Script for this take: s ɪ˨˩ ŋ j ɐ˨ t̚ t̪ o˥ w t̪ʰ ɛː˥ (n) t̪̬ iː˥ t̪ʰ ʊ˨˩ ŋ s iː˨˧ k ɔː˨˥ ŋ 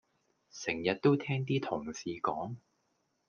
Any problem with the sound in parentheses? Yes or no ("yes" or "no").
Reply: yes